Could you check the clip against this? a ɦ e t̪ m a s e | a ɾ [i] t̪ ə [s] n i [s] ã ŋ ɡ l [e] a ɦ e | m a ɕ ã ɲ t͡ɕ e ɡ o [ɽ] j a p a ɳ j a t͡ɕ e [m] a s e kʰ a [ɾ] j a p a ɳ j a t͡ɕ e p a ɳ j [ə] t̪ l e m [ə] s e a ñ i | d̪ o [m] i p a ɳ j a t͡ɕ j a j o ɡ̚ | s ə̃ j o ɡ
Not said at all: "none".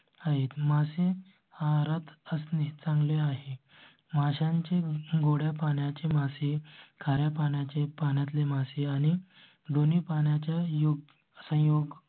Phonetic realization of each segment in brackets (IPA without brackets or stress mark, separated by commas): a, s, t͡s, e, ɽ, m, ɾ, a, a, n